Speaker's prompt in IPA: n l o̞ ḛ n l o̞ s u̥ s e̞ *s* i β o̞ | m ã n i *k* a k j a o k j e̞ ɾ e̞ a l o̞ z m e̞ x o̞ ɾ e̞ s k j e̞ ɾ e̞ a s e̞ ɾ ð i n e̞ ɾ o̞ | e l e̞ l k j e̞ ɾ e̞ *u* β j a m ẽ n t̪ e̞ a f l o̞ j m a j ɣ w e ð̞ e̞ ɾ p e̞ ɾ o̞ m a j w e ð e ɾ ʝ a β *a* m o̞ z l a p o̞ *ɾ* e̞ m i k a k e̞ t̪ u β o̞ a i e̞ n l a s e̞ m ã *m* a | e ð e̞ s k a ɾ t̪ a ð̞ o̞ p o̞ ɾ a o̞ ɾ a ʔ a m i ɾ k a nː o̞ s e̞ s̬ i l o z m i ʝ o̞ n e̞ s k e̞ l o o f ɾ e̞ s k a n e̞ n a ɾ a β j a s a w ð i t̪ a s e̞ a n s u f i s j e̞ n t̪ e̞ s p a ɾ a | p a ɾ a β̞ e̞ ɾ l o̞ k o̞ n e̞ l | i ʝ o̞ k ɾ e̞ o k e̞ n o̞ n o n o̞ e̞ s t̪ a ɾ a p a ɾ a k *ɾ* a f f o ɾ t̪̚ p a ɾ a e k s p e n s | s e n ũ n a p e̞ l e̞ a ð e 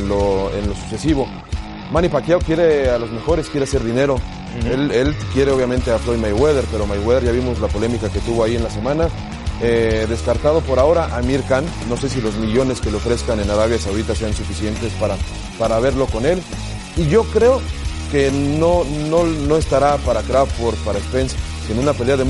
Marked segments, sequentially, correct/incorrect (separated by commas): correct, incorrect, incorrect, incorrect, incorrect, incorrect, correct